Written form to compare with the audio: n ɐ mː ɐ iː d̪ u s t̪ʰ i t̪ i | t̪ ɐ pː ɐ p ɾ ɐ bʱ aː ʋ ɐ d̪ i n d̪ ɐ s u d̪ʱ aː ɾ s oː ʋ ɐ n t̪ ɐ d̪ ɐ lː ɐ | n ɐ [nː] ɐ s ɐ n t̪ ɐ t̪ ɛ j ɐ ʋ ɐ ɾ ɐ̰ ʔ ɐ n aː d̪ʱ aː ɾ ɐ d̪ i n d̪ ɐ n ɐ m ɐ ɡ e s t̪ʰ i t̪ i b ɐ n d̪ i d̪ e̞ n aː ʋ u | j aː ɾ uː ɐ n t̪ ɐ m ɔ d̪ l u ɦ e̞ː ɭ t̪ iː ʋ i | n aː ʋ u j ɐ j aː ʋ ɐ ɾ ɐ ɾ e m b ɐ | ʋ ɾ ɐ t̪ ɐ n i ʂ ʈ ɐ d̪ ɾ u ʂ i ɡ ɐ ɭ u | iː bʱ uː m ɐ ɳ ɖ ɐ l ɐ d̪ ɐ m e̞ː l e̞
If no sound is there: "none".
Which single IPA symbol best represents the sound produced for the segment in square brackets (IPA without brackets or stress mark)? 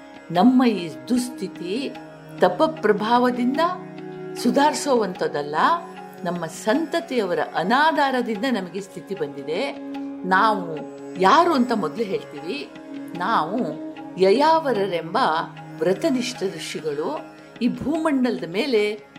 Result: mː